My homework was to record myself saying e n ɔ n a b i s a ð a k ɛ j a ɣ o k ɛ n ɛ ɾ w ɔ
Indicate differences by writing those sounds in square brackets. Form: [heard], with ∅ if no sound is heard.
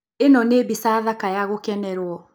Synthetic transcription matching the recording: e n ɔ n [e] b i s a ð a k [a] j a ɣ o k ɛ n ɛ ɾ w ɔ